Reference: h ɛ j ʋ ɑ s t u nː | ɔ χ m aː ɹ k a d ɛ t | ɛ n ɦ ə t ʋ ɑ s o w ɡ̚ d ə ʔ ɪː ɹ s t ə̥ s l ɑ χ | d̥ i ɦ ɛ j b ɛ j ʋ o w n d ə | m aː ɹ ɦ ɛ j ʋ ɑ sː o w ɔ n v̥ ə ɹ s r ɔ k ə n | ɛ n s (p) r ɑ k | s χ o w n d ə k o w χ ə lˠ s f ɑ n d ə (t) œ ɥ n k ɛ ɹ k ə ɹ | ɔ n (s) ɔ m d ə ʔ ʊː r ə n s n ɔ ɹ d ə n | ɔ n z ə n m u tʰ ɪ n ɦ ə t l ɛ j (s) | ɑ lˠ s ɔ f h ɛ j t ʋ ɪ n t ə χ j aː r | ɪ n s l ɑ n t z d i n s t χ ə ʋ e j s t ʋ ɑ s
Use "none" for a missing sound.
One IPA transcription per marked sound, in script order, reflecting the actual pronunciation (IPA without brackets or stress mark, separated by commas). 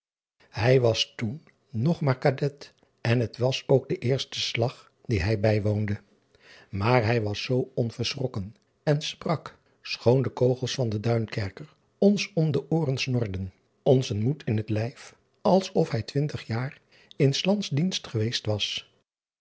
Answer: p, d, s, f